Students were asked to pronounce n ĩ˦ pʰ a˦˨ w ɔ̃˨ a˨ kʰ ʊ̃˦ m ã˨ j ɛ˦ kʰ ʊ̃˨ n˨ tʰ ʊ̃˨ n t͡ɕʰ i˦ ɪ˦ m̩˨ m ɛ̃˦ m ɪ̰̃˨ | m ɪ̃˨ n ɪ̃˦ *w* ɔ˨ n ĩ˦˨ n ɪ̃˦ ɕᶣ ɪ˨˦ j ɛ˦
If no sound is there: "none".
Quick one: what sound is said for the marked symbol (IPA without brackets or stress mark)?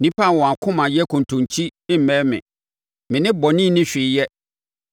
b